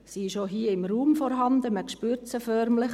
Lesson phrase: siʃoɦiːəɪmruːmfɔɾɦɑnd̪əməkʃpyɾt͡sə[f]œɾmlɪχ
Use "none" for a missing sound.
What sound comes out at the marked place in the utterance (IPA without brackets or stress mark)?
f